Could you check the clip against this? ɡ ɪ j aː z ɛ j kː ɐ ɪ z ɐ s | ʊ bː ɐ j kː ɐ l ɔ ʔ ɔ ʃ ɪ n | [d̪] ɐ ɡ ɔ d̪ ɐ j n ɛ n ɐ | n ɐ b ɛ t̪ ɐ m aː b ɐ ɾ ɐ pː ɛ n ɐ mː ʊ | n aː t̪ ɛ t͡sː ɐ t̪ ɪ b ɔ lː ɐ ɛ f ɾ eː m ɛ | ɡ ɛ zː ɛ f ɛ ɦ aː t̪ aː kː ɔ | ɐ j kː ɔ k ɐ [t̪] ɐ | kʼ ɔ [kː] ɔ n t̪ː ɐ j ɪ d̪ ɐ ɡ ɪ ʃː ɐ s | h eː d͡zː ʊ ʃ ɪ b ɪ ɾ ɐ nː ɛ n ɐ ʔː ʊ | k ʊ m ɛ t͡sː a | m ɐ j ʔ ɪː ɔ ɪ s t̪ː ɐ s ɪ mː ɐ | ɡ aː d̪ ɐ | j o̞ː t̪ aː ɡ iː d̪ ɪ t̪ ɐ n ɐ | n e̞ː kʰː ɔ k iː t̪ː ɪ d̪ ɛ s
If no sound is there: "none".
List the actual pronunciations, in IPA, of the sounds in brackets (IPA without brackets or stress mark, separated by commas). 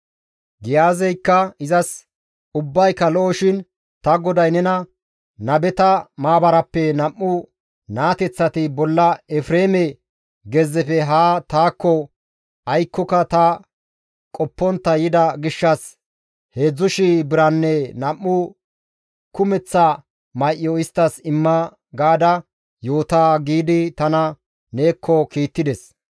t̪, t̪, pː